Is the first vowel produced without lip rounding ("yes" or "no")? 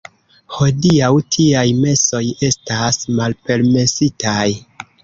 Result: no